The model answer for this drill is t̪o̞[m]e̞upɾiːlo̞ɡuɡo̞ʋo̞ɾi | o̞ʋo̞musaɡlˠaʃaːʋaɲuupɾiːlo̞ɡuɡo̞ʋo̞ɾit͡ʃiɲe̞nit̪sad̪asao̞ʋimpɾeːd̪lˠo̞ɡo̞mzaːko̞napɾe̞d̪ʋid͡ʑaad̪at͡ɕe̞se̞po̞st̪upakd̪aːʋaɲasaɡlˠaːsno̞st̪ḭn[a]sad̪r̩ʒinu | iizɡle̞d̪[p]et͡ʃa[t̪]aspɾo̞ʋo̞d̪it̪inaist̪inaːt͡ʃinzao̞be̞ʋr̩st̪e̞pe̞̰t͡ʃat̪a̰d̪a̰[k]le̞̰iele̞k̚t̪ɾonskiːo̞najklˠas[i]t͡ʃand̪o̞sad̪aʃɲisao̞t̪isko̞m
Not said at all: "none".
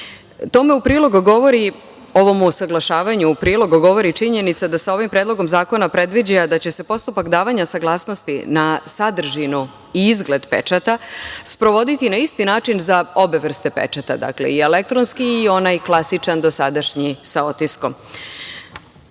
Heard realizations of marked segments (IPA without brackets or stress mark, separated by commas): m, a, p, t̪, k, i